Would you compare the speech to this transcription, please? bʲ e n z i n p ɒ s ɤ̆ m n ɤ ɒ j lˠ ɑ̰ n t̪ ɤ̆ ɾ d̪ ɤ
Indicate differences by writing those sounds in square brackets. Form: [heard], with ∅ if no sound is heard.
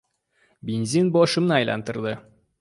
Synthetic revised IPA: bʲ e n z i n [b] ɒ [ʃ] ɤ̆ m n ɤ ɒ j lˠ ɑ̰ n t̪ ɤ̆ ɾ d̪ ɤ